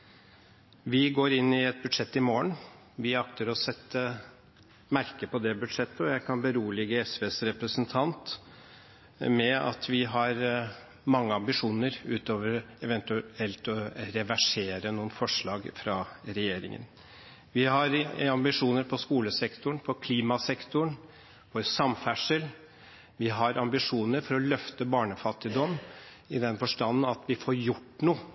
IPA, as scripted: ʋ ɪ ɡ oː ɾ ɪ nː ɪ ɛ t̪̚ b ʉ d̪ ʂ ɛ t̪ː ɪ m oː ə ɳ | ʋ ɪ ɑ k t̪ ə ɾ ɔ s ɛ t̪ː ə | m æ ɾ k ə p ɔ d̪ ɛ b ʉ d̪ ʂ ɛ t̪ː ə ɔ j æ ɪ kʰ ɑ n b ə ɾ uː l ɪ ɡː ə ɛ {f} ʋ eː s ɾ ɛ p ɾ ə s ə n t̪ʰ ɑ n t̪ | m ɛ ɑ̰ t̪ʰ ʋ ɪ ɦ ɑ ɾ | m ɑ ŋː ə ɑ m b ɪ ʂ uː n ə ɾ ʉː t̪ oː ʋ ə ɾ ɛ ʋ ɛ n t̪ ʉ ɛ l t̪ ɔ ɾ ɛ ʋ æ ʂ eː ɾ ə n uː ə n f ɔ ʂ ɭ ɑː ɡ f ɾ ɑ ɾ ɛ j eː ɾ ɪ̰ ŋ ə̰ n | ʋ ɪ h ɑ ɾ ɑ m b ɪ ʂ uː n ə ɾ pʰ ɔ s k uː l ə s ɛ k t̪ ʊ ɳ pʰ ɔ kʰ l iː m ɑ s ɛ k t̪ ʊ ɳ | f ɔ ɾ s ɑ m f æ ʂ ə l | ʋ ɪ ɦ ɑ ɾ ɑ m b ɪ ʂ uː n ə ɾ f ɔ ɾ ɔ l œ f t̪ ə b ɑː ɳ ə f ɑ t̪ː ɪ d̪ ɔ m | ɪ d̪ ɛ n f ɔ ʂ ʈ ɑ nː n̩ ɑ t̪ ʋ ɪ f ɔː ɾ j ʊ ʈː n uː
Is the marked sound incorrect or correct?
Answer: incorrect: s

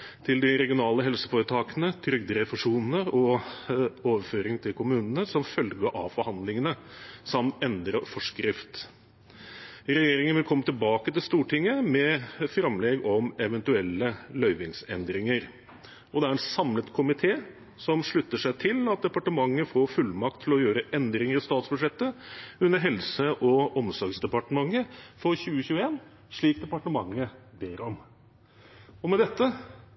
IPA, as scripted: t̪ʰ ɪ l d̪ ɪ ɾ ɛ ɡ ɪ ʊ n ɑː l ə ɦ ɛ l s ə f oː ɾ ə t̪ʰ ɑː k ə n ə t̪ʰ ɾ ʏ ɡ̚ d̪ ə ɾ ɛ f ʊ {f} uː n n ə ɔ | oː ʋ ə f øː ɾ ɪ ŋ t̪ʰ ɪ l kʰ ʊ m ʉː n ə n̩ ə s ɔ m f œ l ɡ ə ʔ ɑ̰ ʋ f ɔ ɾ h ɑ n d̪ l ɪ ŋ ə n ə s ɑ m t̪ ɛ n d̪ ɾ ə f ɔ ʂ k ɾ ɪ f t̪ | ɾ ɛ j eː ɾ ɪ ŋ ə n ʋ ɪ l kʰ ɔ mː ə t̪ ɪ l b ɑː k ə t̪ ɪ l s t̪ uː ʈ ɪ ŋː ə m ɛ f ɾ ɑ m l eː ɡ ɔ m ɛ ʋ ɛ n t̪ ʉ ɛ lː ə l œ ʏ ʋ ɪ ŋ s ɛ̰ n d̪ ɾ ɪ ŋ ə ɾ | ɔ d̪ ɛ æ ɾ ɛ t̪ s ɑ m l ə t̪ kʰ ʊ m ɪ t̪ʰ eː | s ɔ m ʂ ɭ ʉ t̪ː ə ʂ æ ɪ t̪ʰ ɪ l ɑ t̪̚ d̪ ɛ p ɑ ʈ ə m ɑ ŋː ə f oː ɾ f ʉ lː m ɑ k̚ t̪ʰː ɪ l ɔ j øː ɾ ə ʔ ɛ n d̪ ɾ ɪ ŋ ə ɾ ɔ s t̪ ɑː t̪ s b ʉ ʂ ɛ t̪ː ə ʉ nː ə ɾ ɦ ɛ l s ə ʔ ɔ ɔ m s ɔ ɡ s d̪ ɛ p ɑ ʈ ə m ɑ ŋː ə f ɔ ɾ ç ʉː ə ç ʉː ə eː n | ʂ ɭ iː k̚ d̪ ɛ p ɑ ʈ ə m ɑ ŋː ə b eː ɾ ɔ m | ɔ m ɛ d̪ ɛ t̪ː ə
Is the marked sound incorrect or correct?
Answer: incorrect: ʂ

